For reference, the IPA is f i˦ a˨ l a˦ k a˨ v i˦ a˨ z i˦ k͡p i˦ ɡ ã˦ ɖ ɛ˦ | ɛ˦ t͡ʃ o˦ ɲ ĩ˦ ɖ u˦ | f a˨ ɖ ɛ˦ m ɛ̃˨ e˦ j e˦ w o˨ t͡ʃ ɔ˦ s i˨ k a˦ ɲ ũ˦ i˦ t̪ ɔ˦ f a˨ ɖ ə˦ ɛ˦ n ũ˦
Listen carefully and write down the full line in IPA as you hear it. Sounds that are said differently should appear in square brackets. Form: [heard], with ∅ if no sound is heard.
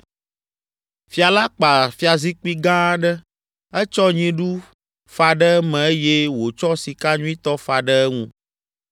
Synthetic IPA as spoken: f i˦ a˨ l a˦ [k͡p] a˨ [f] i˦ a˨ z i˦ k͡p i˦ ɡ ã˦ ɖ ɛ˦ | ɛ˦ t͡ʃ [ɔ˦] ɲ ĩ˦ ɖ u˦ | f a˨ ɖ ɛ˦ m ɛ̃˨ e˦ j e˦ w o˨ t͡ʃ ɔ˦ s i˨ k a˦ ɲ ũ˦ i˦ t̪ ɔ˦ f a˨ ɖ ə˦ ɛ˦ [ŋ] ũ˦